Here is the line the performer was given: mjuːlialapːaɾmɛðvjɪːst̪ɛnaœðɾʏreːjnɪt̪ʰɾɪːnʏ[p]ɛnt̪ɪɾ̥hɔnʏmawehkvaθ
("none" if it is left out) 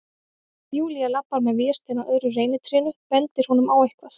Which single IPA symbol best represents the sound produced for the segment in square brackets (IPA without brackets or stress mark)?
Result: p